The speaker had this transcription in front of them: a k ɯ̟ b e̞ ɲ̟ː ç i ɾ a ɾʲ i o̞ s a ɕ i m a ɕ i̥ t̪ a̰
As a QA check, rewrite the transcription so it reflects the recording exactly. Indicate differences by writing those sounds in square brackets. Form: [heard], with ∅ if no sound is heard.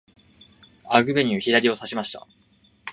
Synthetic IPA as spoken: a [ɡ] ɯ̟ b e̞ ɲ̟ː ç i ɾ a ɾʲ i o̞ s a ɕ i m a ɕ i̥ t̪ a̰